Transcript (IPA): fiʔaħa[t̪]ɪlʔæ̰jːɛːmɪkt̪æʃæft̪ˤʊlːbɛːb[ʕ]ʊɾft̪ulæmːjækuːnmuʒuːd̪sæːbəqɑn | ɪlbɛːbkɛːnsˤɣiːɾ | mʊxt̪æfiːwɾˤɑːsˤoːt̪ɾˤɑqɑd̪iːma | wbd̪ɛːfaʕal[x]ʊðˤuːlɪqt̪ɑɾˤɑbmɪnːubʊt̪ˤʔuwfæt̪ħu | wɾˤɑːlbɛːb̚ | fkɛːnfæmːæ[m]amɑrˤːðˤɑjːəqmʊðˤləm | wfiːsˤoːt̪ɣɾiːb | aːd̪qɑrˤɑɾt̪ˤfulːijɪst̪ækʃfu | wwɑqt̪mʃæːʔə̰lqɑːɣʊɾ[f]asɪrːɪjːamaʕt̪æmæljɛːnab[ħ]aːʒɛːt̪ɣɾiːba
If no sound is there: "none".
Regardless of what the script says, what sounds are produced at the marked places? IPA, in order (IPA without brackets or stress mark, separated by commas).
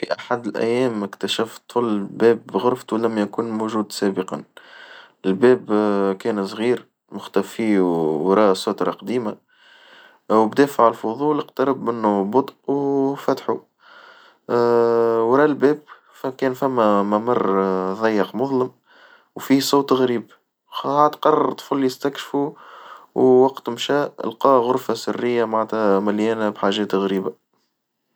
d̪, ɣ, f, m, f, ħ